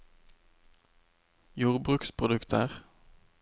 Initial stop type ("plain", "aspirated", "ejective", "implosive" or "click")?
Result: plain